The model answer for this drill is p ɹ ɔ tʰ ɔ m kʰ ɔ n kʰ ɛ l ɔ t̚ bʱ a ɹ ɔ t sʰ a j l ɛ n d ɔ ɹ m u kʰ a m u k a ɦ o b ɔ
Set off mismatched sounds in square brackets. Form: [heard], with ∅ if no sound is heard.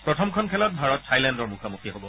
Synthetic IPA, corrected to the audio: p ɹ ɔ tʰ ɔ m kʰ ɔ n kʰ ɛ l ɔ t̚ bʱ a ɹ ɔ t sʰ a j l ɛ n d ɔ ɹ m u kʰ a m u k [i] ɦ o b ɔ